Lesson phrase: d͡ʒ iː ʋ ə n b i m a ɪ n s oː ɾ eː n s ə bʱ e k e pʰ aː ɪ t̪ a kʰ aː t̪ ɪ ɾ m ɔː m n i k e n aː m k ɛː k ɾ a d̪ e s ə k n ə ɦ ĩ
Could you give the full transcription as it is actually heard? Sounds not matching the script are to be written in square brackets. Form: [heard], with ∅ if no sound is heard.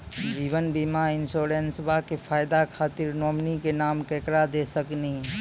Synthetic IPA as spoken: d͡ʒ iː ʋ ə n b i m a ɪ n s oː ɾ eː n s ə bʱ [a] k e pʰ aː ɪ [d̪] a kʰ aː t̪ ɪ ɾ [n] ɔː m n i k e n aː m k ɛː k ɾ a d̪ e s ə k n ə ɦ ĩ